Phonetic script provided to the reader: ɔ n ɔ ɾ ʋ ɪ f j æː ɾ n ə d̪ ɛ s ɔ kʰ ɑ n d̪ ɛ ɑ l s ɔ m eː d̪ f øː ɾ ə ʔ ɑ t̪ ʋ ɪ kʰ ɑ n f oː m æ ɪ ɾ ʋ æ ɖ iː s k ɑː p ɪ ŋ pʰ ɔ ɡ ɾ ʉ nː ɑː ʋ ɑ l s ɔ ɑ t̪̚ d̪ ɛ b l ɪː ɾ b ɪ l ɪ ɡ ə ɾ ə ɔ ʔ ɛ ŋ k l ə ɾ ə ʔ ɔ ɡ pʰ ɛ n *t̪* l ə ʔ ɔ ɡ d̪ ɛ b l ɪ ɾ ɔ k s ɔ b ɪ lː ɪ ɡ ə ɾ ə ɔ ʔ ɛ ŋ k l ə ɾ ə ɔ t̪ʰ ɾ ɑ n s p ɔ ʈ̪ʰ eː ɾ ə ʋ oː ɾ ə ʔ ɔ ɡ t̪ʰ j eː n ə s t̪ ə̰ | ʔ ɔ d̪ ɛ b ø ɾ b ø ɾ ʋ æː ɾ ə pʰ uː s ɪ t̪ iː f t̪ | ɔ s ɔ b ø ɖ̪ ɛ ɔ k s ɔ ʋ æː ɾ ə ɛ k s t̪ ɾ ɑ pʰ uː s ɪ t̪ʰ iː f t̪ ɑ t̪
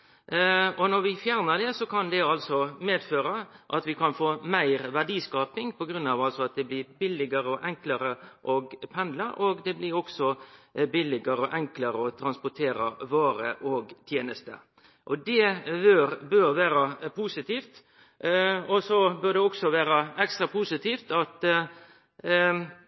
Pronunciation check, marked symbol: incorrect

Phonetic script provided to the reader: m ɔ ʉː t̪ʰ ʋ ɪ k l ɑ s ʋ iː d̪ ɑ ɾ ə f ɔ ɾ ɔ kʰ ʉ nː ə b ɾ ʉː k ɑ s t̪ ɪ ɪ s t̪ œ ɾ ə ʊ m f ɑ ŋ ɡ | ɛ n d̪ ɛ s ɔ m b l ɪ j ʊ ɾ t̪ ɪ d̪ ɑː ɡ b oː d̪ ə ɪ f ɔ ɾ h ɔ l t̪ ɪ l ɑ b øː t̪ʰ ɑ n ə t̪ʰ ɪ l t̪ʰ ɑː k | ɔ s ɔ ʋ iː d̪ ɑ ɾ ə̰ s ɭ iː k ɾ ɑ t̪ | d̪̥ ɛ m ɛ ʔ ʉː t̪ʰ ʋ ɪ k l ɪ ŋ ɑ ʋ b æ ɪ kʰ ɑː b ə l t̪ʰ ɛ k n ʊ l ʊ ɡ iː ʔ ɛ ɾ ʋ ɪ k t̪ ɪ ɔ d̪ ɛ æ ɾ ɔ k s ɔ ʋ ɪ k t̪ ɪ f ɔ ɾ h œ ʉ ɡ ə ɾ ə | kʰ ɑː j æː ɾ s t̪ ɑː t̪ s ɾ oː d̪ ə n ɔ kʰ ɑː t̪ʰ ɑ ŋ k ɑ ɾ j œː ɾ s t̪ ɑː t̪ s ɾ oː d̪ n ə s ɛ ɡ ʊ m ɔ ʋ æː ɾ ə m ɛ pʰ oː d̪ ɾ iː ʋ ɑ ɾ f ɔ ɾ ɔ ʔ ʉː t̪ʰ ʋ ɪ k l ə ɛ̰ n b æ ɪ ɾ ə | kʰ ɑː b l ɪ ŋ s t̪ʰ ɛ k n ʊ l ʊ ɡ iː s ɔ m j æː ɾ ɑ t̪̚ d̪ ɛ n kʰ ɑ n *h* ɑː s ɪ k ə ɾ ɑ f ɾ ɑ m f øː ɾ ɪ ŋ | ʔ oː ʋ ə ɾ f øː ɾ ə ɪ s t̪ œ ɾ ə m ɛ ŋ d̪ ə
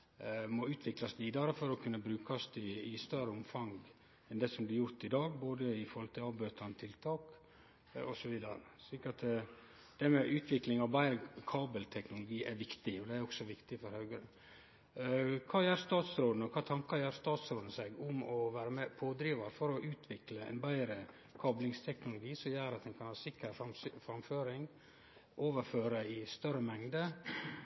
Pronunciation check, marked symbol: correct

